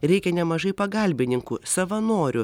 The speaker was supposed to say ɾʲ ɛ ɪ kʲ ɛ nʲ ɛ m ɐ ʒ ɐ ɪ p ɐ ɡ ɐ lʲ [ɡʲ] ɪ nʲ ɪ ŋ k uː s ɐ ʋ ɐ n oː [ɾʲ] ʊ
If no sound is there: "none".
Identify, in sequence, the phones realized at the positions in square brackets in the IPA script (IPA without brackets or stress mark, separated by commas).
bʲ, ɾʲ